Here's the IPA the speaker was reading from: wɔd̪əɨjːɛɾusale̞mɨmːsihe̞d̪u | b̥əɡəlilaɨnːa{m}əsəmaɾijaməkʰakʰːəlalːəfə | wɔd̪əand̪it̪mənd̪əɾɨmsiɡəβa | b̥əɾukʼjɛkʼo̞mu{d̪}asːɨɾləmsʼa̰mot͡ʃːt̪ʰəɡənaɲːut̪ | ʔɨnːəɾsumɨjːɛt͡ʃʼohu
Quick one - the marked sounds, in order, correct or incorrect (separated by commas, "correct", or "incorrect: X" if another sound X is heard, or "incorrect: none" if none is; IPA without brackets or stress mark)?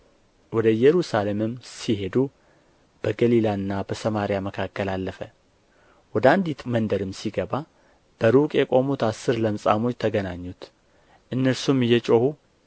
incorrect: b, incorrect: t̪